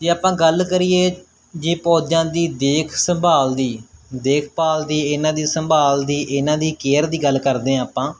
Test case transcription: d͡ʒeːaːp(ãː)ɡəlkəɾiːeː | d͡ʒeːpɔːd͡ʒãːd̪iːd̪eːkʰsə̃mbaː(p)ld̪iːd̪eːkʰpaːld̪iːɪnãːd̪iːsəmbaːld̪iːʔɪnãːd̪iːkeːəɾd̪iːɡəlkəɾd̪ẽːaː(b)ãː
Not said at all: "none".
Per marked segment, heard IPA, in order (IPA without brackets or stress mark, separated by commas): ãː, none, p